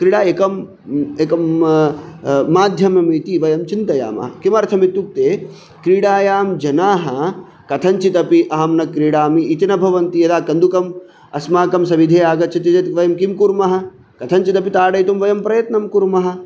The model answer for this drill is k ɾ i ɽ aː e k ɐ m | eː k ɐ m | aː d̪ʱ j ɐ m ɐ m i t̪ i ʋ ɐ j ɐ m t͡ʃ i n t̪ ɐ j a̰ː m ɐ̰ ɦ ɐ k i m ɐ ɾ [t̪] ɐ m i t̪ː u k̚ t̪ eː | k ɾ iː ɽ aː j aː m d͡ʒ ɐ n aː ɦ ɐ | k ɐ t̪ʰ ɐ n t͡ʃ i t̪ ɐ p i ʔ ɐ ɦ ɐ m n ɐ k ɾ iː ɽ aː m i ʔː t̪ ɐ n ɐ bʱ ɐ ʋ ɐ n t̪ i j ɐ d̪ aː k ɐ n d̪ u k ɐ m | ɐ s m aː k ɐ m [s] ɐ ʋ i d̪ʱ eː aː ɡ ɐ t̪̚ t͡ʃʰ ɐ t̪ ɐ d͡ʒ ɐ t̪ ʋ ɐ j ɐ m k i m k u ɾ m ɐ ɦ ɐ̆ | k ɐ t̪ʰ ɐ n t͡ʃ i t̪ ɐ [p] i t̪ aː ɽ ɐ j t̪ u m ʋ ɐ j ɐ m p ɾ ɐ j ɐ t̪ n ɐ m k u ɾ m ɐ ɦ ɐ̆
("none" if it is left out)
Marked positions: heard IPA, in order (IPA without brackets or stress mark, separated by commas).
t̪ʰ, s, p